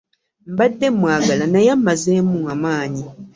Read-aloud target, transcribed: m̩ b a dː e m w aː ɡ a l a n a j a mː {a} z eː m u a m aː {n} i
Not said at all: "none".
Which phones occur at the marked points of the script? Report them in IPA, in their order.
a, ɲ

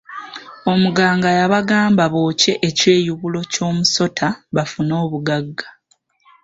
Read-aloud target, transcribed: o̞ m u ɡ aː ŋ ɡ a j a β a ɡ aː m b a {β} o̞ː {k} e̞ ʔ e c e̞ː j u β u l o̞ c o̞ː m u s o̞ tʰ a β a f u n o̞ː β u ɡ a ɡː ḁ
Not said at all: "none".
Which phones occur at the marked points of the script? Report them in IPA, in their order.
β, c

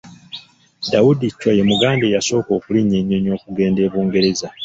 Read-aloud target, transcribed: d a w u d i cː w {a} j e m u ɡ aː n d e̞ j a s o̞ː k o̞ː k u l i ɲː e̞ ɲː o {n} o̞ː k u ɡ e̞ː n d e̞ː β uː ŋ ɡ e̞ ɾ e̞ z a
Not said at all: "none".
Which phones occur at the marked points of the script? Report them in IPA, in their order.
a, ɲ

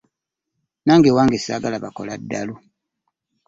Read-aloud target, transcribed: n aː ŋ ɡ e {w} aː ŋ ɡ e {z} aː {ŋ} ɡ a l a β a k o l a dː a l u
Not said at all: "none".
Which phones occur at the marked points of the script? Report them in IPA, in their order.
w, s, none

